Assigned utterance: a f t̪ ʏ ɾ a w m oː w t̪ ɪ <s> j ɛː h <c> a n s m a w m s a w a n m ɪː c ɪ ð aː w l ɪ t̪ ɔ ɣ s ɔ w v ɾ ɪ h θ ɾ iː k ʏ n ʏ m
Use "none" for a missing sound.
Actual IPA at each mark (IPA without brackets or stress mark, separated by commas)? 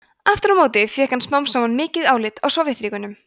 f, k